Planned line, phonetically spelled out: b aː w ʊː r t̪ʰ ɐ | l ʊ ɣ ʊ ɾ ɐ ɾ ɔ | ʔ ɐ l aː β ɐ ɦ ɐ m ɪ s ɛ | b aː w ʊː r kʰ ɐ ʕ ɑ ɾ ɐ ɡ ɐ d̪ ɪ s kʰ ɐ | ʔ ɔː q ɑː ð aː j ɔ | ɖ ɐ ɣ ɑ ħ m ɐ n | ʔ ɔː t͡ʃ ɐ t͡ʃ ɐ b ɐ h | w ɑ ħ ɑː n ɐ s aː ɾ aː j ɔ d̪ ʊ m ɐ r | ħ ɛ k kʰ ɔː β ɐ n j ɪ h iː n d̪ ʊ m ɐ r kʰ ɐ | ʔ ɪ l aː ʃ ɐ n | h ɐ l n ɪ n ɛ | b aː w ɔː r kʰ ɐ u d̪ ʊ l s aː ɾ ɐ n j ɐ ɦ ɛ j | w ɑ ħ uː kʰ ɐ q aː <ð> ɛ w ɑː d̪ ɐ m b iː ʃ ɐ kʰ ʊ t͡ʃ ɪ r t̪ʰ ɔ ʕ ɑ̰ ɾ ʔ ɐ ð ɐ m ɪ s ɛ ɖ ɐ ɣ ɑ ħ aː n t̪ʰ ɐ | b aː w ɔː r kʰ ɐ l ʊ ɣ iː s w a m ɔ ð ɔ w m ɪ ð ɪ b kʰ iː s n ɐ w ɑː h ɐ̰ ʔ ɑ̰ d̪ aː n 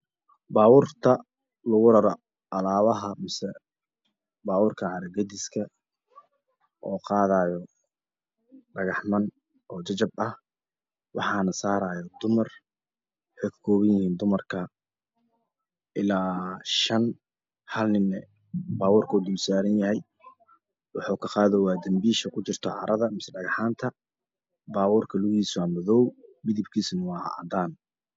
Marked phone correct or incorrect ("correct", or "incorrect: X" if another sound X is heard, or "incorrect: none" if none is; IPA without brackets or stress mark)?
correct